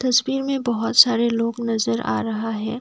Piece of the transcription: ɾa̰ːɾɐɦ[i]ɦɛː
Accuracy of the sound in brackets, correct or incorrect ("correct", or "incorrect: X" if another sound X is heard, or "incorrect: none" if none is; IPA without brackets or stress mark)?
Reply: incorrect: a